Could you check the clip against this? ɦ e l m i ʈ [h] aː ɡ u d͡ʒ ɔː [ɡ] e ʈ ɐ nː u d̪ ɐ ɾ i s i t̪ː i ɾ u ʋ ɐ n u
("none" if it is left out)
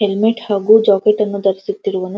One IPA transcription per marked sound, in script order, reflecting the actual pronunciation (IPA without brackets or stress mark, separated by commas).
h, k